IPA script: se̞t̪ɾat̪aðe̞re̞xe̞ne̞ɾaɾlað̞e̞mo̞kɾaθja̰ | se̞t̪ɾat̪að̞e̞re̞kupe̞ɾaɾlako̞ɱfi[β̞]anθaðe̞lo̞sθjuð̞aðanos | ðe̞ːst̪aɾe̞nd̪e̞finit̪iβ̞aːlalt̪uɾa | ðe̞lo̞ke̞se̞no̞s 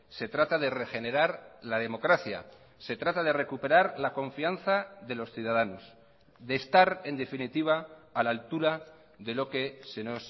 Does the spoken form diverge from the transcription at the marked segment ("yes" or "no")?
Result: yes